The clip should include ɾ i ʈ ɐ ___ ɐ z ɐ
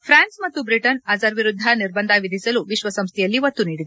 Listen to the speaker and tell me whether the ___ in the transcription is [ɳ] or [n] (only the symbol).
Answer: n